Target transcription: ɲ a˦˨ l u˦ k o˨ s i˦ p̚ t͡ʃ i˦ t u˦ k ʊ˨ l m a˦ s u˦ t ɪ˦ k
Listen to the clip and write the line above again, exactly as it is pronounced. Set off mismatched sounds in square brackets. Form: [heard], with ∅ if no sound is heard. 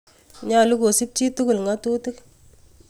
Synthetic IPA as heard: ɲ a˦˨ l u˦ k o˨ s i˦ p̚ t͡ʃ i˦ t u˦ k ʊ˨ l [ŋ] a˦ [t] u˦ t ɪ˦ k